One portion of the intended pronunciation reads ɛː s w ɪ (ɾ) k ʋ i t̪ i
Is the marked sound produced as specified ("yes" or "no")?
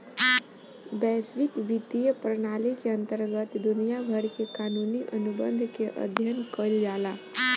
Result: no